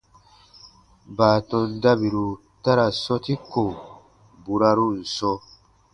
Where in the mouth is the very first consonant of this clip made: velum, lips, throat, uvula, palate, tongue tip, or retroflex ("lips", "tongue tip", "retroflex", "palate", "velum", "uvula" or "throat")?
lips